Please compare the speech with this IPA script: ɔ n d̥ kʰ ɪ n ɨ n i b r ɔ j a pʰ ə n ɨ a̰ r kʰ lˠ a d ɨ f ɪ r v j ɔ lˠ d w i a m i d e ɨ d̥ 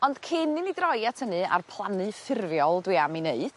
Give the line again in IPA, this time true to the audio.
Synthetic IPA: ɔ n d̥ kʰ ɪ n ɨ n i d r ɔ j a tʰ ə n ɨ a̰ r pʰ lˠ a n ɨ f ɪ r v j ɔ lˠ d w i a m i n e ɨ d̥